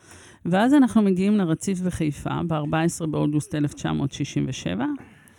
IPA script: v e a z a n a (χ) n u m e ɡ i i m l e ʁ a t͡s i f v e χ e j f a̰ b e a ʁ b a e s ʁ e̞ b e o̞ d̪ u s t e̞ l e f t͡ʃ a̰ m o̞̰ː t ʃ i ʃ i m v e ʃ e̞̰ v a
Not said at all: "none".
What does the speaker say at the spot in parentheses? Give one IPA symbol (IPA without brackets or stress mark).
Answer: χ